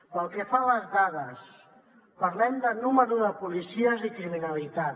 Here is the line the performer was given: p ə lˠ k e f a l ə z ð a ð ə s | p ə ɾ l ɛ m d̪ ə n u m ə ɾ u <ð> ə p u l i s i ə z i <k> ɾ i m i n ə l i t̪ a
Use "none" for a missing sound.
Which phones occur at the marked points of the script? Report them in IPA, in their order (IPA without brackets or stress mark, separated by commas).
ð, k